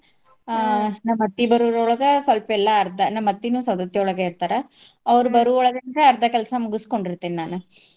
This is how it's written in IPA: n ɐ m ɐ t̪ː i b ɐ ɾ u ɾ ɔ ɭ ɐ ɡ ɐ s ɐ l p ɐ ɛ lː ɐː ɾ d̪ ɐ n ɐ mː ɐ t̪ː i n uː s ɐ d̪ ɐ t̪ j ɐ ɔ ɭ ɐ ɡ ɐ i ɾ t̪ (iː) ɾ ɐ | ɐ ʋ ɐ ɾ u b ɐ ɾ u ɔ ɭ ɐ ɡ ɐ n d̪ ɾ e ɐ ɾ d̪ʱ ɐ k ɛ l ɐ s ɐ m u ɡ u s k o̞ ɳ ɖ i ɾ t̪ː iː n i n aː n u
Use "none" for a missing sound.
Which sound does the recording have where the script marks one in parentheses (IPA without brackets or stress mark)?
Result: aː